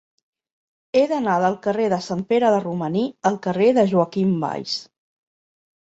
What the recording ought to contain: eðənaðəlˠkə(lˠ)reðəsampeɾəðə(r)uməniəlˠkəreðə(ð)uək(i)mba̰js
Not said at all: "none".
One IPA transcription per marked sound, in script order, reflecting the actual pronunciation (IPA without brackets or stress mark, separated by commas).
none, r, ʒ, i